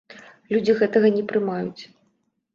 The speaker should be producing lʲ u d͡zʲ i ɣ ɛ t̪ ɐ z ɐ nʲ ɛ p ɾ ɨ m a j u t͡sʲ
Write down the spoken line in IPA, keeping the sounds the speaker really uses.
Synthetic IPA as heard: lʲ u d͡zʲ i ɣ ɛ t̪ ɐ ɣ ɐ nʲ ɛ p ɾ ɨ m a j u t͡sʲ